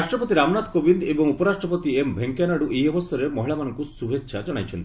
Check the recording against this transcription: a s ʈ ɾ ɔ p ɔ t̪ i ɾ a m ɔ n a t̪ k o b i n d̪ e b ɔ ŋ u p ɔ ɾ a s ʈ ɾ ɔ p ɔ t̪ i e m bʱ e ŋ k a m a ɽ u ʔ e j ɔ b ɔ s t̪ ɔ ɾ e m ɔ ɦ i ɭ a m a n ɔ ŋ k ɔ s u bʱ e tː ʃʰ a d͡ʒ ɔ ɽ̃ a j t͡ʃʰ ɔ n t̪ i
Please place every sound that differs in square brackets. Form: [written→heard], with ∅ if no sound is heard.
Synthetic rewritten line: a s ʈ ɾ ɔ p ɔ t̪ i ɾ a m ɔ n a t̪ k o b i n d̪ e b ɔ ŋ u p ɔ ɾ a s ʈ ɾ ɔ p ɔ t̪ i e m bʱ e ŋ k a [m→n] a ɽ u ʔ e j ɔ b ɔ s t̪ ɔ ɾ e m ɔ ɦ i ɭ a m a n ɔ ŋ k [ɔ→u] s u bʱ e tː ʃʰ a d͡ʒ ɔ ɽ̃ a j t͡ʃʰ ɔ n t̪ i